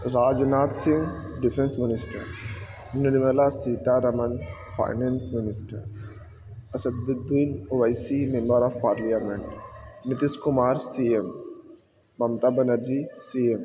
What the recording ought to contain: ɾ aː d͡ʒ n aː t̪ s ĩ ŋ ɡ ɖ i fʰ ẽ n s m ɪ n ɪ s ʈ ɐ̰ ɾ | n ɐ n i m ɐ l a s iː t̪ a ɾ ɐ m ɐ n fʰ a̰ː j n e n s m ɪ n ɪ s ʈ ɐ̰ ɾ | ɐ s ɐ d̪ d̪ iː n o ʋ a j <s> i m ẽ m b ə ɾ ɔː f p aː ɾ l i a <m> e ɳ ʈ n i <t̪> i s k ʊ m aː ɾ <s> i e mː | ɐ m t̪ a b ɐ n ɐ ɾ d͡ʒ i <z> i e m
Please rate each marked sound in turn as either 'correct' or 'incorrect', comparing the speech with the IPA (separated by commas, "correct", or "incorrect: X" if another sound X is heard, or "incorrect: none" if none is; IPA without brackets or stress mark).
correct, correct, correct, correct, incorrect: s